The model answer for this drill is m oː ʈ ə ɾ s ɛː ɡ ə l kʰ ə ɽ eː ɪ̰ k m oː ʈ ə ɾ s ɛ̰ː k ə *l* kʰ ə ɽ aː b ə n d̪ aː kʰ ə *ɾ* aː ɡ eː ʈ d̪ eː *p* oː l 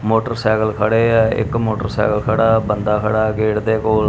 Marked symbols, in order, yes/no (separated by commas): yes, no, no